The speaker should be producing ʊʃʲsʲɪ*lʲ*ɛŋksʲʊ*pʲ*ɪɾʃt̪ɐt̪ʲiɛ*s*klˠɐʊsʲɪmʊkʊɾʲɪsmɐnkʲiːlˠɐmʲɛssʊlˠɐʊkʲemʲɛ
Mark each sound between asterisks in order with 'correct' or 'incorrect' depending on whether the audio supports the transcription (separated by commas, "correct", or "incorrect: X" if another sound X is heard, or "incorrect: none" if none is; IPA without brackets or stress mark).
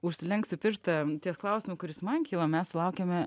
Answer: correct, correct, correct